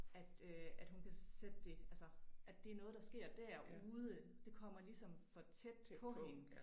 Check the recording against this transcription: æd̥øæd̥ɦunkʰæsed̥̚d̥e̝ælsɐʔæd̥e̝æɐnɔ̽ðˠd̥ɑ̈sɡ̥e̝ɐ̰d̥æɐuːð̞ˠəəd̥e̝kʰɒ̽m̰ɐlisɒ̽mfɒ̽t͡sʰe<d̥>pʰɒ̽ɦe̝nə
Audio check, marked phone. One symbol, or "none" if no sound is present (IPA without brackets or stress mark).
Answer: d̥